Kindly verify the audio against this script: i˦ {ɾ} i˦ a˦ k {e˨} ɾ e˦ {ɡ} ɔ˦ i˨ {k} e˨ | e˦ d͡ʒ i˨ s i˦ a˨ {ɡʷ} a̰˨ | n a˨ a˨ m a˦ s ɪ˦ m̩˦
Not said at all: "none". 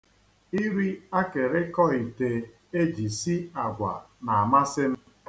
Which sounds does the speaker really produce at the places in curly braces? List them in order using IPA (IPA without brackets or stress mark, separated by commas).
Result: ɾ, e˨, k, t, ɡʷ